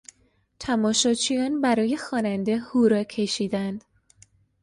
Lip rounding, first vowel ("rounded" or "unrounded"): unrounded